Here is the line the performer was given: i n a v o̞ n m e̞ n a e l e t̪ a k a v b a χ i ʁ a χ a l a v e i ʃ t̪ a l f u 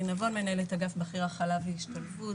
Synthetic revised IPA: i n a v o̞ n m e̞ n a e l e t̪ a ɡ a f b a χ i ʁ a χ a l a v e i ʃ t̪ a l f u

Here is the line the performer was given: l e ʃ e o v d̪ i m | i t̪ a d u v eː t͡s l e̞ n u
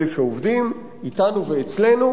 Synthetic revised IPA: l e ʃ e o v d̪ i m | i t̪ a n u v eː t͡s l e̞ n u

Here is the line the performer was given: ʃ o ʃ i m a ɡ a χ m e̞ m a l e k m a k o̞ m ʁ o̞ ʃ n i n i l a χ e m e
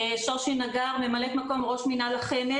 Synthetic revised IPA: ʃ o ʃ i n a ɡ a ʁ m e̞ m a l e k m a k o̞ m ʁ o̞ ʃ m i n a l a χ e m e

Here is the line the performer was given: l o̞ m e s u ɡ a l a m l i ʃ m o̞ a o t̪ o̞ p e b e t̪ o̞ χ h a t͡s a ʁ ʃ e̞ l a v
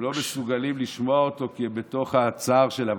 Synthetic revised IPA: l o̞ m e s u ɡ a l i m l i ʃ m o̞ a o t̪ o̞ k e b e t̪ o̞ χ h a t͡s a ʁ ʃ e̞ l a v

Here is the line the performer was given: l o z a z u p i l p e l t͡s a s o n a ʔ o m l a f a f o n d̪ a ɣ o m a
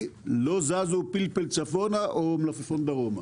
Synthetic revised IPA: l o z a z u p i l p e l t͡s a f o n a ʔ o m l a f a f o n d̪ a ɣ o m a

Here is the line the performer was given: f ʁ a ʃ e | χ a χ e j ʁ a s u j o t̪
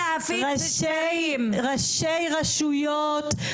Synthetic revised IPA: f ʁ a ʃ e | ʁ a ʃ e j ʁ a ʃ u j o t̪

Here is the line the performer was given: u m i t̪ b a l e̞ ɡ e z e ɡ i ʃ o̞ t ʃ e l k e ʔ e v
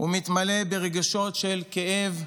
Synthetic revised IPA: u m i t̪ m a l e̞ b e ʁ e ɡ a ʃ o̞ t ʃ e l k e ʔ e v

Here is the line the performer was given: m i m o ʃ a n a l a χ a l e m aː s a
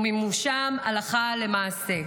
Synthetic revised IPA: m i m u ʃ a m a l a χ a l e m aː s e

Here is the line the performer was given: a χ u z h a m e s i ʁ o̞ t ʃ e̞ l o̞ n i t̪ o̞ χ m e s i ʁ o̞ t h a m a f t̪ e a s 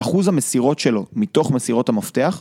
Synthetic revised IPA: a χ u z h a m e s i ʁ o̞ t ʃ e̞ l o̞ m i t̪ o̞ χ m e s i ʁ o̞ t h a m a f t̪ e a χ

